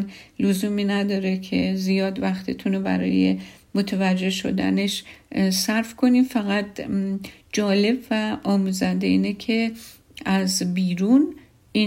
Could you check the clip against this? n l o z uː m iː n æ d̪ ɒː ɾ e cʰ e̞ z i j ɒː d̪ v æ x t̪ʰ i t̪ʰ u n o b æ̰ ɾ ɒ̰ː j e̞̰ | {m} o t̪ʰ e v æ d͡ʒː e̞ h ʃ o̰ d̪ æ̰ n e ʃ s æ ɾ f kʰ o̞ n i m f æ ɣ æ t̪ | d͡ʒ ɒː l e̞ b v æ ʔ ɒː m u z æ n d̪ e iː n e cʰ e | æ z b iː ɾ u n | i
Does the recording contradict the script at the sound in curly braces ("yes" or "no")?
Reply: no